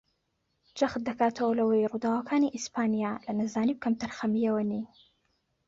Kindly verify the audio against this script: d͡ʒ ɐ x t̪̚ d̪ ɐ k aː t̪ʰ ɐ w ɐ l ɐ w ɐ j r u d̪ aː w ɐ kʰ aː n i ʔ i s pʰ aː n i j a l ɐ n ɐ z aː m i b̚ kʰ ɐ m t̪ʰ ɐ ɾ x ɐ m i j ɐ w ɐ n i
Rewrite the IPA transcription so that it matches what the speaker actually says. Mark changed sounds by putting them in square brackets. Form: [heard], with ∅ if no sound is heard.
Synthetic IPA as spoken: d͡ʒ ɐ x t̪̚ d̪ ɐ k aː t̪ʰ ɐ w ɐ l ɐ w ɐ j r u d̪ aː w ɐ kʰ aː n i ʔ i s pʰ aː n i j a l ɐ n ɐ z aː [n] i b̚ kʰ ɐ m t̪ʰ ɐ ɾ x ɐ m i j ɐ w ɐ n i